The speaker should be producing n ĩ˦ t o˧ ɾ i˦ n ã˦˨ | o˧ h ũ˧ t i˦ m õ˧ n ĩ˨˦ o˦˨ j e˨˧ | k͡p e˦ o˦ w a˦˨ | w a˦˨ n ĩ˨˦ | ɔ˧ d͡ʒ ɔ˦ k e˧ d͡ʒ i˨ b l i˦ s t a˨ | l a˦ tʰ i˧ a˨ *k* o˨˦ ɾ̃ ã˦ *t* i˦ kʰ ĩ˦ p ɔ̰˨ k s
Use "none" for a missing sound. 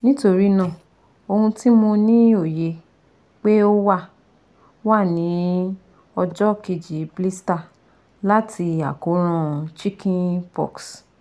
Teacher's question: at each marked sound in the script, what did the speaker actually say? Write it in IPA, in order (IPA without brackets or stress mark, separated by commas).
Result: k, t͡ʃ